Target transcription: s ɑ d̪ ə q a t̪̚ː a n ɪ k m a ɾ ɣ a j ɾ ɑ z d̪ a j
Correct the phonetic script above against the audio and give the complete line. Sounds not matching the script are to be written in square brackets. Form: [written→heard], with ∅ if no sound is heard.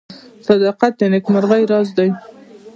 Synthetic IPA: s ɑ d̪ [ə→ɑ] q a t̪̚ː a n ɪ k m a ɾ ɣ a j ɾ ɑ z d̪ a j